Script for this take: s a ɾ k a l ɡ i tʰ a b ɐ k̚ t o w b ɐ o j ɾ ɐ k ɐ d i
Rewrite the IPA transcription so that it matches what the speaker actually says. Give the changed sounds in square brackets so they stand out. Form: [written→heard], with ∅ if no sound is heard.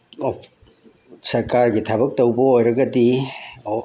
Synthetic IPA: s [a→ɐ] ɾ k a [l→ɾ] ɡ i tʰ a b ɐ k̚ t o w b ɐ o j ɾ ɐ [k→ɡ] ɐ d i